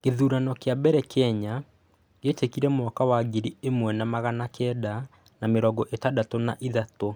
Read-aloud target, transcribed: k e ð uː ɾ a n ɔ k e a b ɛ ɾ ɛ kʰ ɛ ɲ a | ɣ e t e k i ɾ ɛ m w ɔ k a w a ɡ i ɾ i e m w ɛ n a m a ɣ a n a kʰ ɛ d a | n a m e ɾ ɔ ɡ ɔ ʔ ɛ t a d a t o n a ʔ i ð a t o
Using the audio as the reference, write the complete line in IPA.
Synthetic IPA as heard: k e ð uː ɾ a n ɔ k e a b ɛ ɾ ɛ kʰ ɛ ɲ a | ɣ e t e k i ɾ ɛ m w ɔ k a w a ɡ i ɾ i e m w ɛ n a m a ɣ a n a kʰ ɛ d a | n a m e ɾ ɔ ɡ ɔ ʔ e t a d a t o n a ʔ i ð a t o